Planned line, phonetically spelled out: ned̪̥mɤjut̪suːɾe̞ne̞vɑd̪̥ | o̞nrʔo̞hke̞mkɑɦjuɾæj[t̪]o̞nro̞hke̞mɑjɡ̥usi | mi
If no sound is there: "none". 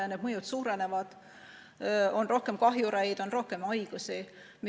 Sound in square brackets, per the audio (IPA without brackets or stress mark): d̪